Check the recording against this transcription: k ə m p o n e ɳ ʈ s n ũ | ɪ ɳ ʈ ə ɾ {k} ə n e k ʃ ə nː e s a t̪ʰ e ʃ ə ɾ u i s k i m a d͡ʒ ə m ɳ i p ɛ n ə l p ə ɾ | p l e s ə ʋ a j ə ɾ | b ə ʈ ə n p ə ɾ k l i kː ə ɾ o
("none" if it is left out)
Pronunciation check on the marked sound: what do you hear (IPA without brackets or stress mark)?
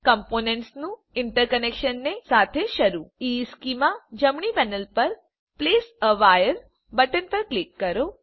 k